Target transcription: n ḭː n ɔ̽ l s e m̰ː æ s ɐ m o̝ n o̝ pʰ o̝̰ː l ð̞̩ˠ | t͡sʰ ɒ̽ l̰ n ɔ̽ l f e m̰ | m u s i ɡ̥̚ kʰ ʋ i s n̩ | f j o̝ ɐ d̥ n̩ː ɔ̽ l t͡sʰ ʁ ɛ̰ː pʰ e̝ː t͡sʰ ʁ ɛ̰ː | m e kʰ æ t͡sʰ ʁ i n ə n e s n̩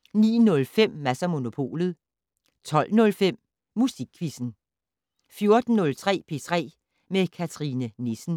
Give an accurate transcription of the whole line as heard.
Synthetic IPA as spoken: n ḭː n ɔ̽ l f e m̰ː æ s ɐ m o̝ n o̝ pʰ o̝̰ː l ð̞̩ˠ | t͡sʰ ɒ̽ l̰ n ɔ̽ l f e m̰ | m u s i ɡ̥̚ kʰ ʋ i s n̩ | f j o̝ ɐ d̥ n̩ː ɔ̽ l t͡sʰ ʁ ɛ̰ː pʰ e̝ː t͡sʰ ʁ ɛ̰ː | m e kʰ æ t͡sʰ ʁ i n ə n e s n̩